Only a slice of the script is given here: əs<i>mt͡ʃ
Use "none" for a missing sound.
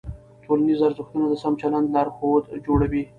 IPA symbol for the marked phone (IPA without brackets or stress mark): a